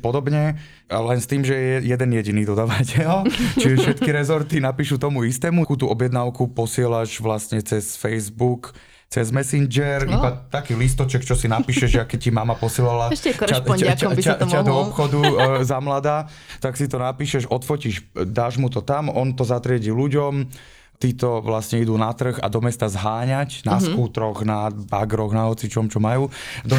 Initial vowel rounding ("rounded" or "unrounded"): rounded